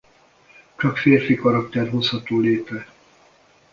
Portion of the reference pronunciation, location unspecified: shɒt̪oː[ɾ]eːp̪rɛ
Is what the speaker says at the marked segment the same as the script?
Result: no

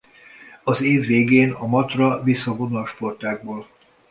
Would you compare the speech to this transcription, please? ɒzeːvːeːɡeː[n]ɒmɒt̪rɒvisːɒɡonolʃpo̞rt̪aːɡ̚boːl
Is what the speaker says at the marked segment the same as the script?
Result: yes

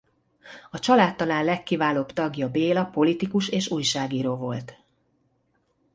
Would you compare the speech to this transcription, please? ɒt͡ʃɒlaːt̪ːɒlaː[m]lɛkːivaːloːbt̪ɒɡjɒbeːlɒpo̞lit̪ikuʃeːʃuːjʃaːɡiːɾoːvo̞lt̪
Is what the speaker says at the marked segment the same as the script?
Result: no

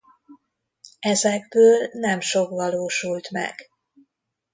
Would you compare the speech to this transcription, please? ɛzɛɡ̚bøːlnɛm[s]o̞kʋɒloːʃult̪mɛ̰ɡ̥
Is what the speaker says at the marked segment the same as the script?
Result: no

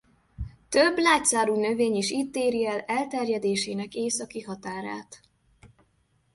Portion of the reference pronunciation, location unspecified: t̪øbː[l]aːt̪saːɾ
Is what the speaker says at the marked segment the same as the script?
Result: yes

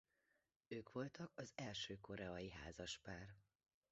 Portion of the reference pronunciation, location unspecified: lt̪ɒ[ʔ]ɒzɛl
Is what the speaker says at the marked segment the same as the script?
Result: no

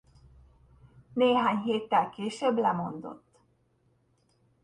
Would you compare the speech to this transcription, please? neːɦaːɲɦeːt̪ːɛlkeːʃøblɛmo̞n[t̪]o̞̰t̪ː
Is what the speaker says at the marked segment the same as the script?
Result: no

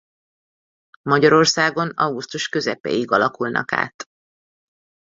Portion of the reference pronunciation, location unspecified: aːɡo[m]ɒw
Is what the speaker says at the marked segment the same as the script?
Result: no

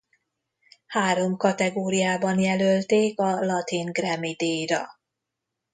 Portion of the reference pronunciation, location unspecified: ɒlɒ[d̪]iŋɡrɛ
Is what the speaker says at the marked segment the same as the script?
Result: no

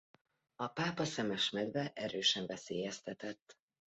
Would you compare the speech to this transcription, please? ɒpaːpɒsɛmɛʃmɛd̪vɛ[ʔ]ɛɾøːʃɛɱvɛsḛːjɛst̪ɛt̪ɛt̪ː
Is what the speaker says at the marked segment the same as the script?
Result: yes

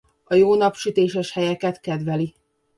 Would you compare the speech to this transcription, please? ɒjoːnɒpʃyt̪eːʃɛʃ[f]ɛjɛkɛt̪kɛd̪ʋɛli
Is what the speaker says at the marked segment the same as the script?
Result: no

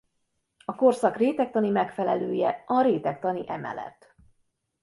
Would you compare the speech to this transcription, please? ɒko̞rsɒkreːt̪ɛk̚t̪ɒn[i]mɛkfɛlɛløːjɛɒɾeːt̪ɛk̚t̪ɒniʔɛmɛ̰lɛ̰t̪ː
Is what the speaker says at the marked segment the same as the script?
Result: yes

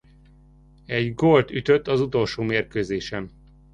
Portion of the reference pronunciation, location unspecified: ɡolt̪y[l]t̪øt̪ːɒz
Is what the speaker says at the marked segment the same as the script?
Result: no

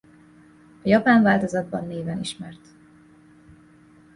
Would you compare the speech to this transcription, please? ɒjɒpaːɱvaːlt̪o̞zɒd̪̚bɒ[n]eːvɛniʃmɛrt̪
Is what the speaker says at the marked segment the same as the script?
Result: no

